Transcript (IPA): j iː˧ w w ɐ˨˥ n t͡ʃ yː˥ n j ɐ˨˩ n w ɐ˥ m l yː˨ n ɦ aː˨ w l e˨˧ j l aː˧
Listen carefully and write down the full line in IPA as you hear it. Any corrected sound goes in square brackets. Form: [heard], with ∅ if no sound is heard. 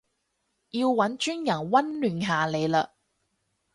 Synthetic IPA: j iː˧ w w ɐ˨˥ n t͡ʃ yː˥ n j ɐ˨˩ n w ɐ˥ [n] l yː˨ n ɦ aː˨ [∅] l e˨˧ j l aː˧